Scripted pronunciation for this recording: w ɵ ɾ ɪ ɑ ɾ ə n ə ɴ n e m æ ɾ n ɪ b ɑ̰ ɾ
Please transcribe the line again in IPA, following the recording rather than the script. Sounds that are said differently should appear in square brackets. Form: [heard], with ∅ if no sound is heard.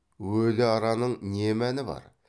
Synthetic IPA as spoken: w ɵ [l] ɪ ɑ ɾ [ɑ] n ə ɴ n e m æ [∅] n ɪ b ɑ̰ ɾ